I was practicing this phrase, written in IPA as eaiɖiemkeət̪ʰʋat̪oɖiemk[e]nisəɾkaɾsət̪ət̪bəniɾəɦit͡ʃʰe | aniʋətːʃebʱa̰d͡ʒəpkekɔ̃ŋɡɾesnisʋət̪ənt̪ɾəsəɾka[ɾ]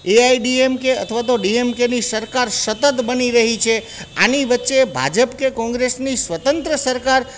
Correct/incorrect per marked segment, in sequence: correct, correct

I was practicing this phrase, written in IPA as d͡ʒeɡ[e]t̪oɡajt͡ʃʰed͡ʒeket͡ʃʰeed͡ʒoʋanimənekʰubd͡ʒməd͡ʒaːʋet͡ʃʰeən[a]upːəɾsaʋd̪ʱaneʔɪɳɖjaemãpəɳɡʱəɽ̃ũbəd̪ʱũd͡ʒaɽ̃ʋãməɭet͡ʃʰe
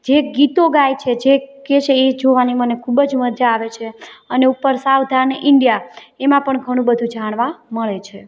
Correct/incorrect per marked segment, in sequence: incorrect: i, incorrect: e

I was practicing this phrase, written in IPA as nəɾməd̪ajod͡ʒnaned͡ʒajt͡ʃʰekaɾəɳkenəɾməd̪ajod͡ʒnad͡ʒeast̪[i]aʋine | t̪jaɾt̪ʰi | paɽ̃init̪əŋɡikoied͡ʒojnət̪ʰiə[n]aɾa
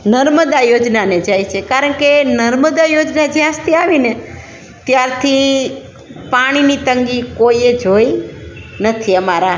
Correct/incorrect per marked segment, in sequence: correct, incorrect: m

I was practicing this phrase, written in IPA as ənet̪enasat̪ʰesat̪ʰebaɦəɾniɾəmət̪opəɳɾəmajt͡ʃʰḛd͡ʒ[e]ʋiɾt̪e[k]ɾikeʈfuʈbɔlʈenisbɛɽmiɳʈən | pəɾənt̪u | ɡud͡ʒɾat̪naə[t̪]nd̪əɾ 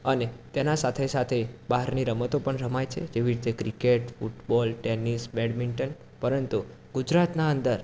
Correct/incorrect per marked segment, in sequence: correct, correct, incorrect: none

